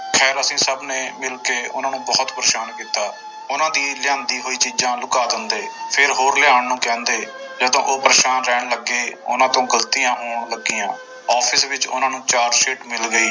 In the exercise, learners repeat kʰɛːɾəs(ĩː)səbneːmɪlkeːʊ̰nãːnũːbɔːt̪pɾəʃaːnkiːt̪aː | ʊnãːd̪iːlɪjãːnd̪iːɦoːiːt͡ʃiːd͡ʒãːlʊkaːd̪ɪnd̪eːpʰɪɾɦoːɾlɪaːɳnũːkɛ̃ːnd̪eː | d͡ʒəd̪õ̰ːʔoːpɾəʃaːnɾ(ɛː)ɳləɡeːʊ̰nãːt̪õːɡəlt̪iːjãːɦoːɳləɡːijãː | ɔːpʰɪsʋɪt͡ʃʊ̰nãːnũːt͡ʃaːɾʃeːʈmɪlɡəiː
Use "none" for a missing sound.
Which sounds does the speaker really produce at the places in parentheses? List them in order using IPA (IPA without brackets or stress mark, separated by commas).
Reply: ĩː, ɛː